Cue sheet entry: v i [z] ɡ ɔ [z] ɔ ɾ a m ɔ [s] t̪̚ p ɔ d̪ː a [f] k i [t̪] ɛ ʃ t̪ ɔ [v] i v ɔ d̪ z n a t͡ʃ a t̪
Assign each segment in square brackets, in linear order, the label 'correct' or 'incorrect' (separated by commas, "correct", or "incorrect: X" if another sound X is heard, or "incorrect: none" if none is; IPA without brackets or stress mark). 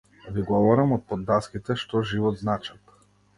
incorrect: none, incorrect: v, incorrect: none, incorrect: s, correct, incorrect: ʒ